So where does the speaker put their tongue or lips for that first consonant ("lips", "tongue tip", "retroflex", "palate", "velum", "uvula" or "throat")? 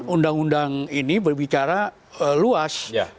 tongue tip